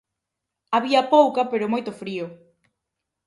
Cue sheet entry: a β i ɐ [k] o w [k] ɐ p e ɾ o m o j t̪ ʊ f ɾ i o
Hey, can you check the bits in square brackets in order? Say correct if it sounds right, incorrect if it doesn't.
incorrect: p, correct

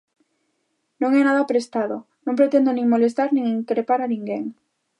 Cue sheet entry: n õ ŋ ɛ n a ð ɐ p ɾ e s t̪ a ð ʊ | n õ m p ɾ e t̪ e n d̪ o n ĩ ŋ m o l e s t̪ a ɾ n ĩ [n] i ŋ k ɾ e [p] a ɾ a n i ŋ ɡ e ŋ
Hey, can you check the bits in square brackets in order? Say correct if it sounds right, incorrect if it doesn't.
incorrect: ŋ, correct

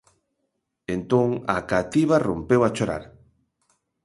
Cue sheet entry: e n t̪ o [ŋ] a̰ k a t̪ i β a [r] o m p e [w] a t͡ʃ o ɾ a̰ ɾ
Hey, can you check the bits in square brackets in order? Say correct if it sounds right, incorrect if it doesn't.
correct, correct, correct

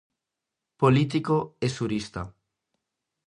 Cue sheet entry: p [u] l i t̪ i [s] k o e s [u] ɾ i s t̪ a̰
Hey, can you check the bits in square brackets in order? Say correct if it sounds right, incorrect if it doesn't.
incorrect: o, incorrect: none, correct

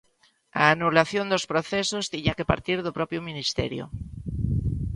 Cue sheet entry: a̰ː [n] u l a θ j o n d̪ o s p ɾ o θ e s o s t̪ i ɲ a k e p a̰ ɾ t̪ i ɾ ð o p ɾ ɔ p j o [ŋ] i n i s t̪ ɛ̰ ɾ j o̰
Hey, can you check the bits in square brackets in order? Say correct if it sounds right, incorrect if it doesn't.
correct, incorrect: m

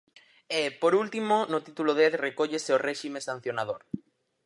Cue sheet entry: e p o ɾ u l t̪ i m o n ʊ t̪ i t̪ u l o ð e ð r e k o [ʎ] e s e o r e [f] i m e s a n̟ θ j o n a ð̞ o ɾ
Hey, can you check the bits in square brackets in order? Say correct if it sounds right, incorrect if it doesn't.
correct, incorrect: ʃ

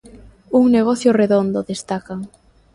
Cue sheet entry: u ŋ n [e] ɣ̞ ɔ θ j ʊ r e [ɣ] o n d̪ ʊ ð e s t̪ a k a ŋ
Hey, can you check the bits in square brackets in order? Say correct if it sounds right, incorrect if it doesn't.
correct, incorrect: ð

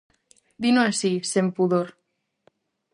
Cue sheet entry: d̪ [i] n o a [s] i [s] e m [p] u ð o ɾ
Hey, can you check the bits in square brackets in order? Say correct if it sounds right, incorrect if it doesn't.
correct, correct, correct, correct

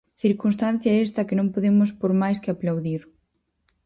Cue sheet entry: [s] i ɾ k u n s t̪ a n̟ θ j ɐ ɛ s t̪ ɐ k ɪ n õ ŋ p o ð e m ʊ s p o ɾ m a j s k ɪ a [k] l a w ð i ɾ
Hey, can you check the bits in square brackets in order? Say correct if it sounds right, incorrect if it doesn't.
incorrect: θ, incorrect: p

